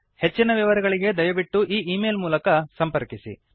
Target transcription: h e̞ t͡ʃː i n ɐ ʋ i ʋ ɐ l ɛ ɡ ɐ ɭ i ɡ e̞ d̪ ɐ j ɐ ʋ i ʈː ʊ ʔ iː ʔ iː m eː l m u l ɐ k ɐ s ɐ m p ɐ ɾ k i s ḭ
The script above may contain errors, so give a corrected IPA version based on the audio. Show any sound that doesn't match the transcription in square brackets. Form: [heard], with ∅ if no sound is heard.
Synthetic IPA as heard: h e̞ t͡ʃː i n ɐ ʋ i ʋ ɐ [ɾ] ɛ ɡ ɐ ɭ i ɡ e̞ d̪ ɐ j ɐ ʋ i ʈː [u] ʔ iː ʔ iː m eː l m [uː] l ɐ k ɐ s ɐ m p ɐ ɾ k i s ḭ